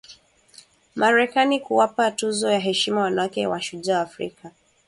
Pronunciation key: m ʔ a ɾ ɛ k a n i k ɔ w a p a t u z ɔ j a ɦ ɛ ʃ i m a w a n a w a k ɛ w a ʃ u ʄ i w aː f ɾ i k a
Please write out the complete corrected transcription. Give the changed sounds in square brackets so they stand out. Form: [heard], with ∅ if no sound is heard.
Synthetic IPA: m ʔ a ɾ ɛ k a n i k [u] w a p a t u z ɔ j a ɦ ɛ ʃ i m a w a n a w a k ɛ w a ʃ u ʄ [a] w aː f ɾ i k a

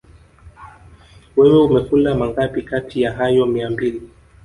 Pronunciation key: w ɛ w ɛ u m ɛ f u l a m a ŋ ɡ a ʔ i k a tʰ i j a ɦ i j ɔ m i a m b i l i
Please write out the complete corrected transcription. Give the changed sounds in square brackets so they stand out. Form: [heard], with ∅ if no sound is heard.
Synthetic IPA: w ɛ w ɛ u m ɛ f u l a m a ŋ ɡ a [p] i k a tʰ i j a ɦ [a] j ɔ m i a m b i l i

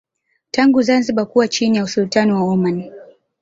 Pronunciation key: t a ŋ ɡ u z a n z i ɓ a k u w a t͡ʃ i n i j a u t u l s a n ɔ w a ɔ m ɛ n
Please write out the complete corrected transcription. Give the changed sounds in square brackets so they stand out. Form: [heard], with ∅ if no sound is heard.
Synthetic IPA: t a ŋ ɡ u z a n z i ɓ a k u w a t͡ʃ i n i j a u [s] u l [t] a n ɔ w a ɔ m [a] n

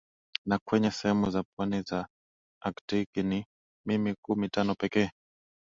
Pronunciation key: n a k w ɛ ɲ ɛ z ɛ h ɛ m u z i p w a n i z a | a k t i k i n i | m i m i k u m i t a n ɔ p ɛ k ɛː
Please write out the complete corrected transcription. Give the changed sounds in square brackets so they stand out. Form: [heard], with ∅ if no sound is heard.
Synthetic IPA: n a k w ɛ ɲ ɛ [s] ɛ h ɛ m u z [a] p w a n i z a | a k t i k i n i | m i m i k u m i t a n ɔ p ɛ k ɛː

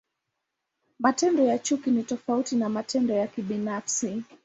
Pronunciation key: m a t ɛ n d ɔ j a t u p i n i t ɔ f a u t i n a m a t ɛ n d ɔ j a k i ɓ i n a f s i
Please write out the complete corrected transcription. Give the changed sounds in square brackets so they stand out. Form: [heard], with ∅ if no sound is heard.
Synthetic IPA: m a t ɛ n d ɔ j a [t͡ʃ] u [k] i n i t ɔ f a u t i n a m a t ɛ n d ɔ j a k i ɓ i n a f s i

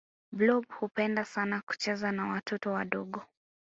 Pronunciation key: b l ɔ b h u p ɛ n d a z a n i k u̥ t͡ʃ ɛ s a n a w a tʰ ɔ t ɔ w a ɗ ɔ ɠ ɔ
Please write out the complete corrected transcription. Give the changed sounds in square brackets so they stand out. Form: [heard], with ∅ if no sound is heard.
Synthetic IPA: b l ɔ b h u p ɛ n d a [s] a n [a] k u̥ t͡ʃ ɛ [z] a n a w a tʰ ɔ t ɔ w a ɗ ɔ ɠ ɔ

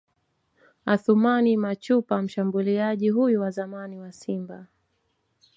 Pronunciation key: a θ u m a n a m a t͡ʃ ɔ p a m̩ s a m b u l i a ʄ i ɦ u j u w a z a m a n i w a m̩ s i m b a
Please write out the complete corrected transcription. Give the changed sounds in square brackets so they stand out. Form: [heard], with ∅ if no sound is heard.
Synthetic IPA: a θ u m a n [i] m a t͡ʃ [u] p a m̩ [ʃ] a m b u l i a ʄ i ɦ u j u w a z a m a n i w a [∅] s i m b a

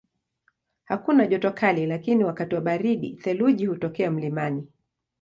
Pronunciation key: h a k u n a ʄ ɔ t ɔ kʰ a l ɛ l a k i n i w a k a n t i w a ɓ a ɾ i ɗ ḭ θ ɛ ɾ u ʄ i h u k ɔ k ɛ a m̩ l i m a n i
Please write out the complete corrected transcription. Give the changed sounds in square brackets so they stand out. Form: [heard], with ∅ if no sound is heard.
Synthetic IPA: h a k u n a ʄ ɔ t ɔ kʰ a l [i] l a k i n i w a k a [∅] t i w a ɓ a ɾ i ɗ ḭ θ ɛ [l] u ʄ i h u [t] ɔ k ɛ a m̩ l i m a n i

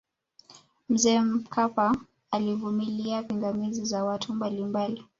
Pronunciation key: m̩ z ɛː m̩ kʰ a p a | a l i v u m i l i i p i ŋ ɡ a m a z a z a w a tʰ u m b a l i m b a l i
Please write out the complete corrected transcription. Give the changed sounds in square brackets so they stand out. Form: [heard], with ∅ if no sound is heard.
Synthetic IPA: m̩ z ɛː m̩ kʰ a p a | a l i v u m i l i [a] p i ŋ ɡ a m [i] z [i] z a w a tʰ u m b a l i m b a l i

